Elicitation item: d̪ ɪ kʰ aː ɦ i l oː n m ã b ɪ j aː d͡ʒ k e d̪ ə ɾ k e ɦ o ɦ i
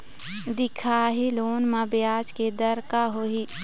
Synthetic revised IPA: d̪ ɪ kʰ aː ɦ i l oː n m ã b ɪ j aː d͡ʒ k e d̪ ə ɾ k a ɦ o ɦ i